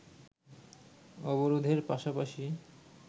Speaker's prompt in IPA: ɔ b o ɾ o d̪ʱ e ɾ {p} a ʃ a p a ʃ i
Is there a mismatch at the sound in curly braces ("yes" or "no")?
no